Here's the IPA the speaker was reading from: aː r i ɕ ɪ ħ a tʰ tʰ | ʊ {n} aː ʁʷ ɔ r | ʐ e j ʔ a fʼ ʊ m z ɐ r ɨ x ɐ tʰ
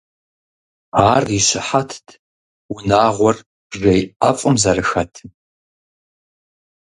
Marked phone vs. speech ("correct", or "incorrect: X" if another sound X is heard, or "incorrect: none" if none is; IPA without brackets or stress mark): correct